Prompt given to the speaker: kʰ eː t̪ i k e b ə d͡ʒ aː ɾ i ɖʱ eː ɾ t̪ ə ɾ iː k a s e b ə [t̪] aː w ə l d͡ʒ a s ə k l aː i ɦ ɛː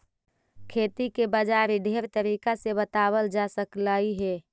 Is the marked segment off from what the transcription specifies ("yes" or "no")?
no